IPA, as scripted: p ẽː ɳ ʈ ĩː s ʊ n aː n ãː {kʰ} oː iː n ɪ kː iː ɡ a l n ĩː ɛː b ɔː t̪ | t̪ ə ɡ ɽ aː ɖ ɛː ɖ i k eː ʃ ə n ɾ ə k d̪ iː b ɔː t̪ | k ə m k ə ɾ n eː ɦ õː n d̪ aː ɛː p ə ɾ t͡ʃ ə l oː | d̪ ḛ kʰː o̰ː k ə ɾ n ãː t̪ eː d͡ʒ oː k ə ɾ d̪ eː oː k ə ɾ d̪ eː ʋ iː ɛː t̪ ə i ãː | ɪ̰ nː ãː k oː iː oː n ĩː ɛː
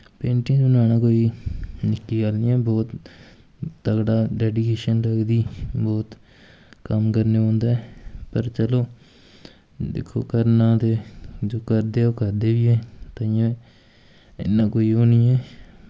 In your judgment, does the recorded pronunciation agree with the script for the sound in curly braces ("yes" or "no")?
no